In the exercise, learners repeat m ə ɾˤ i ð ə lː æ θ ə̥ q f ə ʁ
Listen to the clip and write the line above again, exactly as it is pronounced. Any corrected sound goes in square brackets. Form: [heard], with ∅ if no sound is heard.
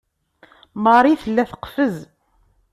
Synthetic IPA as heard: m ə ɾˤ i [θ] ə lː æ θ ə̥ q f ə [z]